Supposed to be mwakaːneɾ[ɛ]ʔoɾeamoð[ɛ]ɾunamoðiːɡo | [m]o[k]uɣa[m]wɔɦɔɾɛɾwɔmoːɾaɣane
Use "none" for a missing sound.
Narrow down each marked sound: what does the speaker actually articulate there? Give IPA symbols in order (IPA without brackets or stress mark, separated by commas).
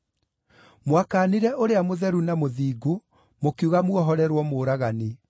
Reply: ɛ, ɛ, m, k, m